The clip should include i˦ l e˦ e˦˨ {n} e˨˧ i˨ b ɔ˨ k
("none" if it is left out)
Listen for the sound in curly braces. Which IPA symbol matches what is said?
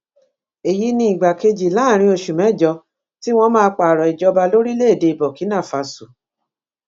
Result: d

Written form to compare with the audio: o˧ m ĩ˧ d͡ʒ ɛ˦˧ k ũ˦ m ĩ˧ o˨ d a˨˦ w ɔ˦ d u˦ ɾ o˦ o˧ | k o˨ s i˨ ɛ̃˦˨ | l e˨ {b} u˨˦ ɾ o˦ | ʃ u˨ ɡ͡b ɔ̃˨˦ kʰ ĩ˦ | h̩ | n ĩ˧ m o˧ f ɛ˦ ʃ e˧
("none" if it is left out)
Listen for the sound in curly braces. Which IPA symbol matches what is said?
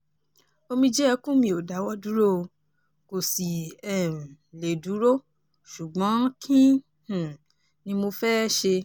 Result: d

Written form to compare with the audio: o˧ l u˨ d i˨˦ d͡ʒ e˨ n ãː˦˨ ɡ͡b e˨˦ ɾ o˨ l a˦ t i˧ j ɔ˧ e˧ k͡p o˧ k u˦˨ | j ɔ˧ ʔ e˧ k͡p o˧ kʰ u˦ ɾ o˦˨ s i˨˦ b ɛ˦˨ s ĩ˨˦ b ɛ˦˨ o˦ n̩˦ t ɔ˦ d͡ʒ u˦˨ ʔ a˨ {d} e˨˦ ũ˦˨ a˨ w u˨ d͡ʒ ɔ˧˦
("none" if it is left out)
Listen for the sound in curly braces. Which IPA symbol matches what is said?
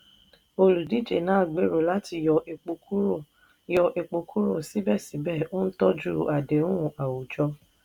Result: d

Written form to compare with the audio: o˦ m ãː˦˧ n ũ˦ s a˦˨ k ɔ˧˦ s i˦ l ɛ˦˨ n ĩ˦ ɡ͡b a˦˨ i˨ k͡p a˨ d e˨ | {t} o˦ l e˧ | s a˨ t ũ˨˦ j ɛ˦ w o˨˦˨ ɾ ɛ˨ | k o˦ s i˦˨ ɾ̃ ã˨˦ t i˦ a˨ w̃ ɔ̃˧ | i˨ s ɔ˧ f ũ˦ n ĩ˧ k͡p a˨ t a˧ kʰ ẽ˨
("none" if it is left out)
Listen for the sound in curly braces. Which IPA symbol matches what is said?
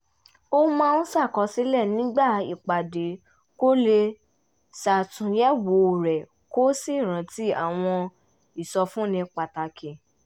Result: k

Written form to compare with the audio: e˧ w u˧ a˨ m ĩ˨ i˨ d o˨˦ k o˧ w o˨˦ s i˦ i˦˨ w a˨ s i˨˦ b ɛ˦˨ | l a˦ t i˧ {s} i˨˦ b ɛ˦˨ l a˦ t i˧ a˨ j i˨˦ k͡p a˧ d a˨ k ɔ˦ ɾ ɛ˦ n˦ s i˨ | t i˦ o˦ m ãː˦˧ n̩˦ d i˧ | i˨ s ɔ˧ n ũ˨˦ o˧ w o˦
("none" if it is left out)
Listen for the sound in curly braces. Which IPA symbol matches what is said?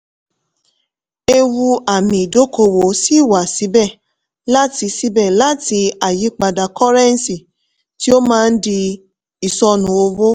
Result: s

